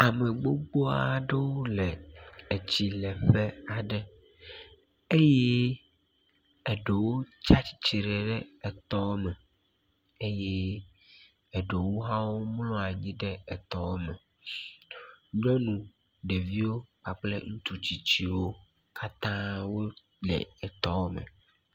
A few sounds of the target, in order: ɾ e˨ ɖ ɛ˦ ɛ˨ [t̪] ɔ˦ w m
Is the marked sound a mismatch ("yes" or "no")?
no